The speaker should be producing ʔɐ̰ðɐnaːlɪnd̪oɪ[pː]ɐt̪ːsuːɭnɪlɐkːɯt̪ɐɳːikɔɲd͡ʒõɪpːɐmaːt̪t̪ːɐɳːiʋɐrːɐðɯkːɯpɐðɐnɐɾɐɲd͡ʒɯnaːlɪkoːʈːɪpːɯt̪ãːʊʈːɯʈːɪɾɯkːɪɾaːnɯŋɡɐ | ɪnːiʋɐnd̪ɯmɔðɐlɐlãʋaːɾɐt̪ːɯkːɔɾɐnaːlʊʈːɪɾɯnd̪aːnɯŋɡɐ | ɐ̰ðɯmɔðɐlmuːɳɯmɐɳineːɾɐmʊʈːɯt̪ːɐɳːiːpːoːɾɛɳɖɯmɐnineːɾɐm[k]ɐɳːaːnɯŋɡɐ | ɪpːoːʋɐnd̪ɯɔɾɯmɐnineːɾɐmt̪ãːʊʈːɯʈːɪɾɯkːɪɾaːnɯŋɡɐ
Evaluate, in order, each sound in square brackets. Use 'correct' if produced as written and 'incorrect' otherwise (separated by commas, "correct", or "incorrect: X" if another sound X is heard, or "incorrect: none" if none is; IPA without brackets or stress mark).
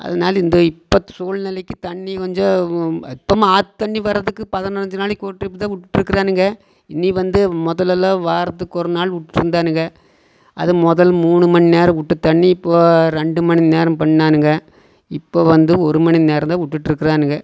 correct, incorrect: p